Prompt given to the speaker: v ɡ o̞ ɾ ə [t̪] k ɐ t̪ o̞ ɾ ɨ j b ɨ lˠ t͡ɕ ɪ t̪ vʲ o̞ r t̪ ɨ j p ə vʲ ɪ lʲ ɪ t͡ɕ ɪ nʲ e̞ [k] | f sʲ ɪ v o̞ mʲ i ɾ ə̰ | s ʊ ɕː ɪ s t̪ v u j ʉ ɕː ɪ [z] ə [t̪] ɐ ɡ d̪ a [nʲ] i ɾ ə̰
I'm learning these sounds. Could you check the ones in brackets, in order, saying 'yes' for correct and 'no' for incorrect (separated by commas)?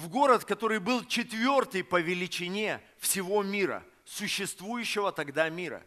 yes, no, no, yes, no